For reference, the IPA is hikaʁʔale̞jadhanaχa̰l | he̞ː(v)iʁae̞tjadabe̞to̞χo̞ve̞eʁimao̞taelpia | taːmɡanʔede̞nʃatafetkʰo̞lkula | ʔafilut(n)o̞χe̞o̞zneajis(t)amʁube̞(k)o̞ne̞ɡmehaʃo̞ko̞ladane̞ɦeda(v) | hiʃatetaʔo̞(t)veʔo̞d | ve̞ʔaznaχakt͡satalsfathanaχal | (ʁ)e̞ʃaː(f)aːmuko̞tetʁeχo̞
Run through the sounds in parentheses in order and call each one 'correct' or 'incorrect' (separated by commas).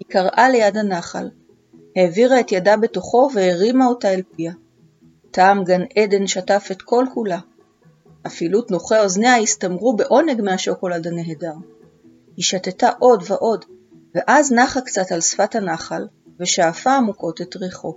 correct, correct, correct, incorrect, incorrect, incorrect, incorrect, correct